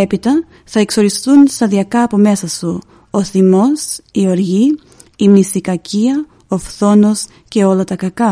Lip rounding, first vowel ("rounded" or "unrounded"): unrounded